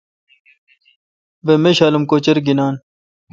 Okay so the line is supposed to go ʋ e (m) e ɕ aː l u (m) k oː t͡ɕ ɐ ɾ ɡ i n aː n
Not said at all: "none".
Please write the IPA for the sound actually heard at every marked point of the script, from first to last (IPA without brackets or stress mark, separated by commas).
m, m